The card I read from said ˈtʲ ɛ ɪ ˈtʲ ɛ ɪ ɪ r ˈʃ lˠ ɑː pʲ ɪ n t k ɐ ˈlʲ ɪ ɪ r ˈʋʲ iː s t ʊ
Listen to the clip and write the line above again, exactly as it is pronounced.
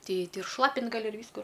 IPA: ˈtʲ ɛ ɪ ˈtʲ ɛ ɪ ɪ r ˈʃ lˠ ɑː pʲ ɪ n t ɡ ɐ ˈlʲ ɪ ɪ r ˈʋʲ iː s k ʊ